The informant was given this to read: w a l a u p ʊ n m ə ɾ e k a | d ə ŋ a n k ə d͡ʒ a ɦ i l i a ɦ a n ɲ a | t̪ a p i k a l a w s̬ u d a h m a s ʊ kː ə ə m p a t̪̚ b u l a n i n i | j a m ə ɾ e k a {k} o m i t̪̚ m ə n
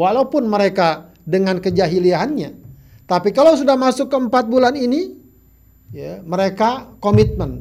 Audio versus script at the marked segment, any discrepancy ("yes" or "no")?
no